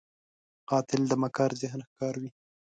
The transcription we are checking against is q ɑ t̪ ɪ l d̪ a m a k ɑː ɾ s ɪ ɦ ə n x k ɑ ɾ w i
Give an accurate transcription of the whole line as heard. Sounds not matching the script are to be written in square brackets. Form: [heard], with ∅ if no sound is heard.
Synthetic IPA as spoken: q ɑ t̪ ɪ l d̪ [ə] m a k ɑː ɾ [z] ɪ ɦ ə n x k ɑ ɾ w i

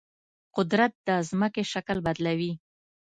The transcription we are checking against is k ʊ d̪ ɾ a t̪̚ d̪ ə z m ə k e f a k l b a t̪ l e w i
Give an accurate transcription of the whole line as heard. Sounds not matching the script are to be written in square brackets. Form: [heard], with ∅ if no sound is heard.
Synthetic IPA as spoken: [q] ʊ d̪ ɾ a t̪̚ d̪ ə z m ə k e [ʃ] a k l b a [d̪] l [a] w i

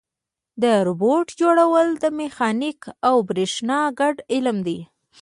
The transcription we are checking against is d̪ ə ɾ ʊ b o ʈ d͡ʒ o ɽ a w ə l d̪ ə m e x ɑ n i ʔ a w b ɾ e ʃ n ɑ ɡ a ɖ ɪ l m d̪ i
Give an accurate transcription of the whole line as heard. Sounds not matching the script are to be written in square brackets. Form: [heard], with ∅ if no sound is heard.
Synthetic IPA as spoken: d̪ ə ɾ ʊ b o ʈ d͡ʒ o ɽ a w ə l d̪ ə m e x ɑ n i [k] a w b ɾ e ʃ n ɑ ɡ a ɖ ɪ l m d̪ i

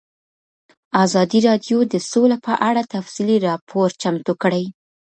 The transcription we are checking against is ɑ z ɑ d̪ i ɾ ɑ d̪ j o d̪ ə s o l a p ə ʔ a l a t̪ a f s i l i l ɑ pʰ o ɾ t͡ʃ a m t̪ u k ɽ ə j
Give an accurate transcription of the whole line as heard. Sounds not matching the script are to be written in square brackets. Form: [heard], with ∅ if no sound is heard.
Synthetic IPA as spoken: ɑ z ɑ d̪ i ɾ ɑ d̪ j o d̪ ə s o l a p ə ʔ a [ɽ] a t̪ a f s i l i [ɾ] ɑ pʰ o ɾ t͡ʃ a m t̪ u k ɽ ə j

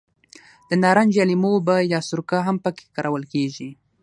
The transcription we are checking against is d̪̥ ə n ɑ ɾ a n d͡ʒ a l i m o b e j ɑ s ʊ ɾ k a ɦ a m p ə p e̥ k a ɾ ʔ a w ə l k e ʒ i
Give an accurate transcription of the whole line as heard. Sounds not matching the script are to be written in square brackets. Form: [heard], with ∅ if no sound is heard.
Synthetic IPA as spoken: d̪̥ ə n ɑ ɾ a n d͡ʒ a l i m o b [a] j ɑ s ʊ ɾ k a ɦ a m p ə [k] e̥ k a ɾ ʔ a w ə l k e ʒ i

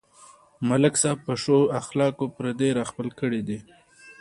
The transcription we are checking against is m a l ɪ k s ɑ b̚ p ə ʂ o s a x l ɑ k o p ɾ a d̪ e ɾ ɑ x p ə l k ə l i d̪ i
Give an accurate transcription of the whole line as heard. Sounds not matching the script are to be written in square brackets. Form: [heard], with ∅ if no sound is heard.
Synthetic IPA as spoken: m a l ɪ k s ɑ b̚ p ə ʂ o [∅] a x l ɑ k o p ɾ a d̪ e ɾ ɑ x p ə l k ə [ɽ] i d̪ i

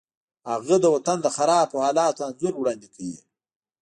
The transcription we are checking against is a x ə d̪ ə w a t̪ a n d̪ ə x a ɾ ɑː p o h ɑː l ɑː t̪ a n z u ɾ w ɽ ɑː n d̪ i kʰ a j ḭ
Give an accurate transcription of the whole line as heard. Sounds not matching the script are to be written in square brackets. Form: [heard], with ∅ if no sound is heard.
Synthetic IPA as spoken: a [ɣ] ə d̪ ə w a t̪ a n d̪ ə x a ɾ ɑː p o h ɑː l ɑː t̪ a n z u ɾ w ɽ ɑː n d̪ i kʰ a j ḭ

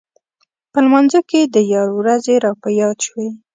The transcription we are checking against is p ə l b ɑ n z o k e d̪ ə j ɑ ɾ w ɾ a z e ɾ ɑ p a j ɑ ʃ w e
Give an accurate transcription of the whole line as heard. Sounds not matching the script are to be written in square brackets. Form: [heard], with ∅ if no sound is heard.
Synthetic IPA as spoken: p ə l [m] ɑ n z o k e d̪ ə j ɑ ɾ w ɾ a z e ɾ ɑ p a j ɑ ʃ w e

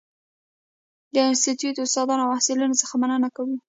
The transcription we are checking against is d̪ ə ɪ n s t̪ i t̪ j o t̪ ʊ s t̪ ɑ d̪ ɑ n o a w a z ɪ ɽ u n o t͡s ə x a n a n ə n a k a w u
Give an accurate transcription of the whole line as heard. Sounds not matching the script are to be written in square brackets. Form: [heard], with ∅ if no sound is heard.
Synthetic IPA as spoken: d̪ ə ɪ n s t̪ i t̪ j [u] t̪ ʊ s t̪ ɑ d̪ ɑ n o a w a [s] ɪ [l] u n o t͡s ə x a [m] a n ə n a k a w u

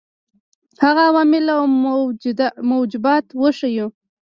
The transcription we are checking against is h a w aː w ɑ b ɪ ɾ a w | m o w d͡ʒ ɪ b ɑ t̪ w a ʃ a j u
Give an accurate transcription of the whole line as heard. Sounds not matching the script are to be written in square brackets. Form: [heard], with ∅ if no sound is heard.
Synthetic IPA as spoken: h a [ɣ] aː w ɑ [m] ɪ [l] a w | m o w d͡ʒ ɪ b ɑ t̪ w [ə] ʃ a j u

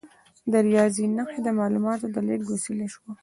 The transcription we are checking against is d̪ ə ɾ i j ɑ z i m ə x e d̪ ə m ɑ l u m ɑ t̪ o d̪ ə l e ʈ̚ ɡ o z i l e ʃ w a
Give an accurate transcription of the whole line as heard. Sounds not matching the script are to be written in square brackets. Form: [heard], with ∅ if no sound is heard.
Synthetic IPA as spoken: d̪ ə ɾ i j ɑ z i [n] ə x e d̪ ə m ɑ l u m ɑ t̪ o d̪ ə l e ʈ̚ ɡ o [s] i l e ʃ w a

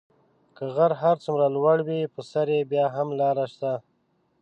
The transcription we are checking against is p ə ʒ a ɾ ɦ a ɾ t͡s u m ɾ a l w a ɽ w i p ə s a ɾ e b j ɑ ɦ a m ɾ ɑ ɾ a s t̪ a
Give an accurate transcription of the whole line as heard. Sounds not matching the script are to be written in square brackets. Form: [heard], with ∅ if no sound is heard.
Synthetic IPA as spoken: [k] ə [ɣ] a ɾ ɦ a ɾ t͡s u m ɾ a l w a ɽ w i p ə s a ɾ e b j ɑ ɦ a m [l] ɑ ɾ a [ʃ] t̪ a

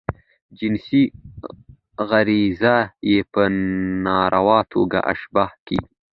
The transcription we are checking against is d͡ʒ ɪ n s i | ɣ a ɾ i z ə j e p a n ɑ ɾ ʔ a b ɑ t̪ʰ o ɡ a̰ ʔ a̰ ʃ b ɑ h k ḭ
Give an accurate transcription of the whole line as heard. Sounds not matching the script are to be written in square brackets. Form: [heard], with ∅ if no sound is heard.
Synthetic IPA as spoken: d͡ʒ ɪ n s i | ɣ a ɾ i z [a] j e p [ə] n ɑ ɾ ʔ a [w] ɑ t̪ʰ o ɡ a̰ ʔ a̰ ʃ b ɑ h k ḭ

